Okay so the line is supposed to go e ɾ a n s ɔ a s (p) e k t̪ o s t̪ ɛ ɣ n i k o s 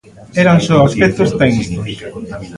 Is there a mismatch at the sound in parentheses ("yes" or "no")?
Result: no